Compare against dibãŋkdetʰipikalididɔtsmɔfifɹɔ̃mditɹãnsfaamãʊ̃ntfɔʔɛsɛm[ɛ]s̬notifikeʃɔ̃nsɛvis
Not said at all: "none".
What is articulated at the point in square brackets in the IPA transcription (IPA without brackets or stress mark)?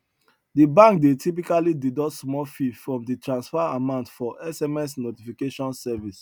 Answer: ɛ